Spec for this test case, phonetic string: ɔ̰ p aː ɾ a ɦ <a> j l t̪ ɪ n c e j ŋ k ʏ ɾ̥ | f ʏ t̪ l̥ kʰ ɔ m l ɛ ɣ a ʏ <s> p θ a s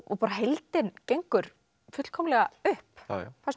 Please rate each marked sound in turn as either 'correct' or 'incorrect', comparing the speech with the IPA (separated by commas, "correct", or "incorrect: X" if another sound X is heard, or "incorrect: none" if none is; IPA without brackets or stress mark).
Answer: incorrect: e, incorrect: h